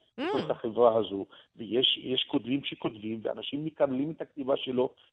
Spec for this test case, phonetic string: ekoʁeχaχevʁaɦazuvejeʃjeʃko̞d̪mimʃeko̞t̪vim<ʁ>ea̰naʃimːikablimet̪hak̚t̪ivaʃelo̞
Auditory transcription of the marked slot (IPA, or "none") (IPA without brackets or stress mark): v